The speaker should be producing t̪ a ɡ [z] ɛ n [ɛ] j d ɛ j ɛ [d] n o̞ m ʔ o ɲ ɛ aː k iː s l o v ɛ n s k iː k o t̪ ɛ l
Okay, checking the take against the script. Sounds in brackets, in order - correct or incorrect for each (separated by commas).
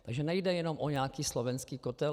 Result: incorrect, correct, incorrect